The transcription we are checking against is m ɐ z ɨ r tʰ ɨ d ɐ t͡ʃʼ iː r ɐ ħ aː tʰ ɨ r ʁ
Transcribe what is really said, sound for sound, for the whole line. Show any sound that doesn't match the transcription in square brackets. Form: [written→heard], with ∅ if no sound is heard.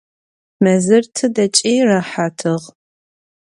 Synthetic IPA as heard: m ɐ z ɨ r tʰ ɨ d ɐ t͡ʃʼ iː r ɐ ħ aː tʰ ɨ [r→∅] ʁ

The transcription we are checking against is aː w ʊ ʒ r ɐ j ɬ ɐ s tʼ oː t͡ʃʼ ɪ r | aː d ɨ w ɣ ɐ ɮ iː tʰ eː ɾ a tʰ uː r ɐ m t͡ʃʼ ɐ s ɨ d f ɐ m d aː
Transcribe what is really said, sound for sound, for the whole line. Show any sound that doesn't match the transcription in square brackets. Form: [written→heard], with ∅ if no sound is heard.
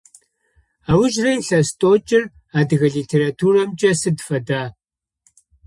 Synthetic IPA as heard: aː w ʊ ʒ r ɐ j ɬ ɐ s tʼ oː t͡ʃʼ ɪ r | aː d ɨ [w→∅] ɣ ɐ ɮ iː tʰ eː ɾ a tʰ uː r ɐ m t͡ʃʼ ɐ s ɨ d f ɐ [m→∅] d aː

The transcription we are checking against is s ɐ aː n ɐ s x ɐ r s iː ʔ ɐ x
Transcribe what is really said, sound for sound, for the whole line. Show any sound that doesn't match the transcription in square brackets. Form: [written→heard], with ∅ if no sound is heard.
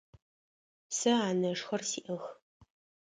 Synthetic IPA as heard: s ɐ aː n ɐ [s→ʂ] x ɐ r s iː ʔ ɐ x

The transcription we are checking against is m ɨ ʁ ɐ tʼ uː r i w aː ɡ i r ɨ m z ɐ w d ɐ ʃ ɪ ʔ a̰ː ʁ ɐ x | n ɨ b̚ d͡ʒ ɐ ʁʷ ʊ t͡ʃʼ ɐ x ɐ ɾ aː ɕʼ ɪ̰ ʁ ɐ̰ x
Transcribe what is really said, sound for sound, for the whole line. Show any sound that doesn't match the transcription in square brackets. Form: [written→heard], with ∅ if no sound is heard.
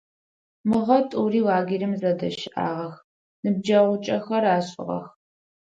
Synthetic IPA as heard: m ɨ ʁ ɐ tʼ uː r [i→iː] w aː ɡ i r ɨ m z ɐ [w→∅] d ɐ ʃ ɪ ʔ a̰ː ʁ ɐ x | n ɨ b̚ d͡ʒ ɐ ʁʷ ʊ t͡ʃʼ ɐ x ɐ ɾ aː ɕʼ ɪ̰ ʁ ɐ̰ x

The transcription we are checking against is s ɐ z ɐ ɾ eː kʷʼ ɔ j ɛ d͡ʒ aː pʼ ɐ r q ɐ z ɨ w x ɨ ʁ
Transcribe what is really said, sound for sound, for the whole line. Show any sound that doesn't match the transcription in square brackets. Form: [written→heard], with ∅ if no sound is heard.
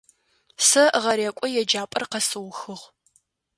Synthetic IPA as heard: s ɐ [z→ʁ] ɐ ɾ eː kʷʼ ɔ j ɛ d͡ʒ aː pʼ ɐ r q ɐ [z→s] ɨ w x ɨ ʁ

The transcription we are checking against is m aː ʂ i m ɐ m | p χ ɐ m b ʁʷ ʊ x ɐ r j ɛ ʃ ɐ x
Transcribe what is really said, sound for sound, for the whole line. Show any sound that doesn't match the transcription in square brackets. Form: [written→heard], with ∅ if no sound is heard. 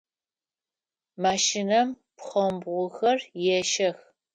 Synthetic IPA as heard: m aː [ʂ→ʃ] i [m→n] ɐ m | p χ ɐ m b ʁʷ ʊ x ɐ r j ɛ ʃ ɐ x

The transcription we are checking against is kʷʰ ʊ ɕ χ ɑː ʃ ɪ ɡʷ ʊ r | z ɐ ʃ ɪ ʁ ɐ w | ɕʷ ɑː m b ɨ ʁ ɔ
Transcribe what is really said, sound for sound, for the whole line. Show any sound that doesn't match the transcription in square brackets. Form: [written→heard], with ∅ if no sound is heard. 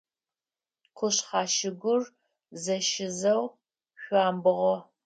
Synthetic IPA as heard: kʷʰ ʊ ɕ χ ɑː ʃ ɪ ɡʷ ʊ r | z ɐ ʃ ɪ [ʁ→z] ɐ w | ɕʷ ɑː m b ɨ ʁ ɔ

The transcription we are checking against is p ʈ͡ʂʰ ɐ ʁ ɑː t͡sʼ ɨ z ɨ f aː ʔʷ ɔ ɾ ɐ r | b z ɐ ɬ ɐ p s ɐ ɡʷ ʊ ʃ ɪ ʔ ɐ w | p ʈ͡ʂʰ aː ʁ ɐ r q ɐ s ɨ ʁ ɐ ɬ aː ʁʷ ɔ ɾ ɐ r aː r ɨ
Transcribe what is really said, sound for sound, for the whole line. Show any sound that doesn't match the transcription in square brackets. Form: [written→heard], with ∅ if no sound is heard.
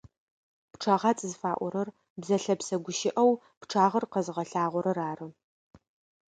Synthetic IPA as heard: p ʈ͡ʂʰ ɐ ʁ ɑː t͡sʼ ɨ z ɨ f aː ʔʷ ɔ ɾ ɐ r | b z ɐ ɬ ɐ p s ɐ ɡʷ ʊ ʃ ɪ ʔ ɐ w | p ʈ͡ʂʰ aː ʁ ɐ r q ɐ [s→z] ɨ ʁ ɐ ɬ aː ʁʷ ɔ ɾ ɐ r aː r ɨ

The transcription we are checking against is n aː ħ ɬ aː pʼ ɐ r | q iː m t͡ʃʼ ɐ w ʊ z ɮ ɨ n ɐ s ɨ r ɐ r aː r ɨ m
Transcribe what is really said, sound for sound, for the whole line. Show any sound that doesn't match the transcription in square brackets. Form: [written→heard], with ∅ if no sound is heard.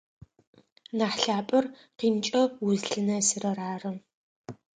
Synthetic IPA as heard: n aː ħ ɬ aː pʼ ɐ r | q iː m t͡ʃʼ ɐ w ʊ z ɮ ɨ n ɐ s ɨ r ɐ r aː r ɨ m

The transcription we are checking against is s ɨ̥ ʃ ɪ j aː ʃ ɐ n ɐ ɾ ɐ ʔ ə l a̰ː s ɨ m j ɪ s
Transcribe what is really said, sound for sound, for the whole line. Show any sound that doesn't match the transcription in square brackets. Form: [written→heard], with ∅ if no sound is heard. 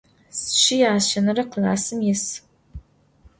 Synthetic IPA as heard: s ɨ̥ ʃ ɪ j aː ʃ ɐ n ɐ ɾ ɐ [ʔ→q] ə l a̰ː s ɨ m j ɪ s

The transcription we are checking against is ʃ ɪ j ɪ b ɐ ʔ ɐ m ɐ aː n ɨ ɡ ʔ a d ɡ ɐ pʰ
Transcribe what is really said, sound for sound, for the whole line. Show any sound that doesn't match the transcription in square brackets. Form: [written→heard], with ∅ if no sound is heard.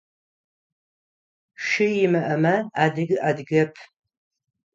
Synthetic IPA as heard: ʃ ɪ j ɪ [b→m] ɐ ʔ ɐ m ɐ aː [n→d] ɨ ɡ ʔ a d ɡ ɐ pʰ

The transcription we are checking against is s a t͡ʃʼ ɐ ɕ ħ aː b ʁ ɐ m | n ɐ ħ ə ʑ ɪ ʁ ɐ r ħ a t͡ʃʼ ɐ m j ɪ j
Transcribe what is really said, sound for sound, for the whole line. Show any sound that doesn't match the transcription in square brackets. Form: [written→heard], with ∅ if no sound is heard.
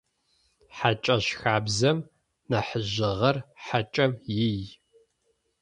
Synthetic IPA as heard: [s→ħ] a t͡ʃʼ ɐ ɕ [ħ→x] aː b [ʁ→z] ɐ m | n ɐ ħ ə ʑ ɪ ʁ ɐ r ħ a t͡ʃʼ ɐ m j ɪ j

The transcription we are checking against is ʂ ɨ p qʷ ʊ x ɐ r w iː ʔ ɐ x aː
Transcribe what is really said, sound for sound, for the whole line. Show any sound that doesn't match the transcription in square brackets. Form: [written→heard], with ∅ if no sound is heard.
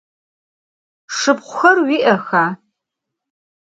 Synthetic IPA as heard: ʂ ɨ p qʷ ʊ x ɐ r w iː ʔ ɐ x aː

